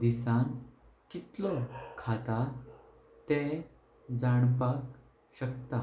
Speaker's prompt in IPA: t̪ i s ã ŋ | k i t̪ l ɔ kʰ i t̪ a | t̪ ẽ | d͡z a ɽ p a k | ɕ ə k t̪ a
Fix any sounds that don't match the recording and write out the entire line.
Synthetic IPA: d̪ i s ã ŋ | k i t̪ l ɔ kʰ a t̪ a | t̪ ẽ | d͡z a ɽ p a k | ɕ ə k t̪ a